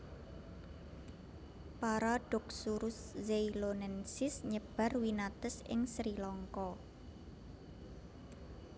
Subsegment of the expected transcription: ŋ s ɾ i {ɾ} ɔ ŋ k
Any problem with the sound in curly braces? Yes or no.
yes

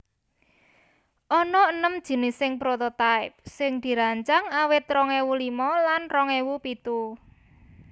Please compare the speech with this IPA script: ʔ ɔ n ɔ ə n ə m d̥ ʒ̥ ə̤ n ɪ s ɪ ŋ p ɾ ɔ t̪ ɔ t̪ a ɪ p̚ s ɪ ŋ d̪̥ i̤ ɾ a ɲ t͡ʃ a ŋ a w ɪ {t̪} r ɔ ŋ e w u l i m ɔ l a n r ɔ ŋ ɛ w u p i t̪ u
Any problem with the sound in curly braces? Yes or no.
no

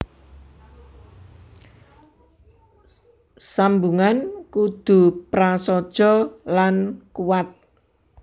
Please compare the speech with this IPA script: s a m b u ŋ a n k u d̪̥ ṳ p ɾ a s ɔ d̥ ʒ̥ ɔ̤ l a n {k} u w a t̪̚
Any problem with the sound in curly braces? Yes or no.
no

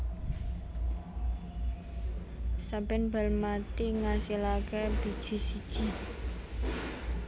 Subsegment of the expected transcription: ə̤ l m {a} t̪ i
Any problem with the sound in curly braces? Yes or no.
no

